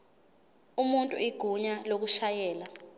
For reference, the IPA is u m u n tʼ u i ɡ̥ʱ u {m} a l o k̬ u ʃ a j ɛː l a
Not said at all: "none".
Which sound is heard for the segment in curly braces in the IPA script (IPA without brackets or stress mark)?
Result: ɲ